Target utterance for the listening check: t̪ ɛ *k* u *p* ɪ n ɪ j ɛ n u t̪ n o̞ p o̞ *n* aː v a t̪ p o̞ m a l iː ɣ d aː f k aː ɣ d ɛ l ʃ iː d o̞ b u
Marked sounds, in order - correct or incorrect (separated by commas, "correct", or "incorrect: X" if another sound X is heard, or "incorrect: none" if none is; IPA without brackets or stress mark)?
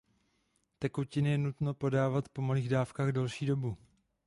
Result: correct, incorrect: c, incorrect: d